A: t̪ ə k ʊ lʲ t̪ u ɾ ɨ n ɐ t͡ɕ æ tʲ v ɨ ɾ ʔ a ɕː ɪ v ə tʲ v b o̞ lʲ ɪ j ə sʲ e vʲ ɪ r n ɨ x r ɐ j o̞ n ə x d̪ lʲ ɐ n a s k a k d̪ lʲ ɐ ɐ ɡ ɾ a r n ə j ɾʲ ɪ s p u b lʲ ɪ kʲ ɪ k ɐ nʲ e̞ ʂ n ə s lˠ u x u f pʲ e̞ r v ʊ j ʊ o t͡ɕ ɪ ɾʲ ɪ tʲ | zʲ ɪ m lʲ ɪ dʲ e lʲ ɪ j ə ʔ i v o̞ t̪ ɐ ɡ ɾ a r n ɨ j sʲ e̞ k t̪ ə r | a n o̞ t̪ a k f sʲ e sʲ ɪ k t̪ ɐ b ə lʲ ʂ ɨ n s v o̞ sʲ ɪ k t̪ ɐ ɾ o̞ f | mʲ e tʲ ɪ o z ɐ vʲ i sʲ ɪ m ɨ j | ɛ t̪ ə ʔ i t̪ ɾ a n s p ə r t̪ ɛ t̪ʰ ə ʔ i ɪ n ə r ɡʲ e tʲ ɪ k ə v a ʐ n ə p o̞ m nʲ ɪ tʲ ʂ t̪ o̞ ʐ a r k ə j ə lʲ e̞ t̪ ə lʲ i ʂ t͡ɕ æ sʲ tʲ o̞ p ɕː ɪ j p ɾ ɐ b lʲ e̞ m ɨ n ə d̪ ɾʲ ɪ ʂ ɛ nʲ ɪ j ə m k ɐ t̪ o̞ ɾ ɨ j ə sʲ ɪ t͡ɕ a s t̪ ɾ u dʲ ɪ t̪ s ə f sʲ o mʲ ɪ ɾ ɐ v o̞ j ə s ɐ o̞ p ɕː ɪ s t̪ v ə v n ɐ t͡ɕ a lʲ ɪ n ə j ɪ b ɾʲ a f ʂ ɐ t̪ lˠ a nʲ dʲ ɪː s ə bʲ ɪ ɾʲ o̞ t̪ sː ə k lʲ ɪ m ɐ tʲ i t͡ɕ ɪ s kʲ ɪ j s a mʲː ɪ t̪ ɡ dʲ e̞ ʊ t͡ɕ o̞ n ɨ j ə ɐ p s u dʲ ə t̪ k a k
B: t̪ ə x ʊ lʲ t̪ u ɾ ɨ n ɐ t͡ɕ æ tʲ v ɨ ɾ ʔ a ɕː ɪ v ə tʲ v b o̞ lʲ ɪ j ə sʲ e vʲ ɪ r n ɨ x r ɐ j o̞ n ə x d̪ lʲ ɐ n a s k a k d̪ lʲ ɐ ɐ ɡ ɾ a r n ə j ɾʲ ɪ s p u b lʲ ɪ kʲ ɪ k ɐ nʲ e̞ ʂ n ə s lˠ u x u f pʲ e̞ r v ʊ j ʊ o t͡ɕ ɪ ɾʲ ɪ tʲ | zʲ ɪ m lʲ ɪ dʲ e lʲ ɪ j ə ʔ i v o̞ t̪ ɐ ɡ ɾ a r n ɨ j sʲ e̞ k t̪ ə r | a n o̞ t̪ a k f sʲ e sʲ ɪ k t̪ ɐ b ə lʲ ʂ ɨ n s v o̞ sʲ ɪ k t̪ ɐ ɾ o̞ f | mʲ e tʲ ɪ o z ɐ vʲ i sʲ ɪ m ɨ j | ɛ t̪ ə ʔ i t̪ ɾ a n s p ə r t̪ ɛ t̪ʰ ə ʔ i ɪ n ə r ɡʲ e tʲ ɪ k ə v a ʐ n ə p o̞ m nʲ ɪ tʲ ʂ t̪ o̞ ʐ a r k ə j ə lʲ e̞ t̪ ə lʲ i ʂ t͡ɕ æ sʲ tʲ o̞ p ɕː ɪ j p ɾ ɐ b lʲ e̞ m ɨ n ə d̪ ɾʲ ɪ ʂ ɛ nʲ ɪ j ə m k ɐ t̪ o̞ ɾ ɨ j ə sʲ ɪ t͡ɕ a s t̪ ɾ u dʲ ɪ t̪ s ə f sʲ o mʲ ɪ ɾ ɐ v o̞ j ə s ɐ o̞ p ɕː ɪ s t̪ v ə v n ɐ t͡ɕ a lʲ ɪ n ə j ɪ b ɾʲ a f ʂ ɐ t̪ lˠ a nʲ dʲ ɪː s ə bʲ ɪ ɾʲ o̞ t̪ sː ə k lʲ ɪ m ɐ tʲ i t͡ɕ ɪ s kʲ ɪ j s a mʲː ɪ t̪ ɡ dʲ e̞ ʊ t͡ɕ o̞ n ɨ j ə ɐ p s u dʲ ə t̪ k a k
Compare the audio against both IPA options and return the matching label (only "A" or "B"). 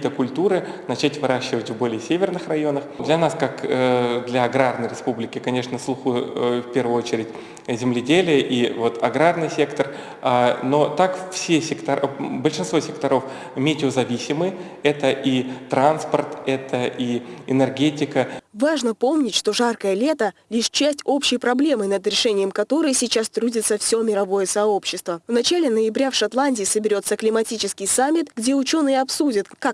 A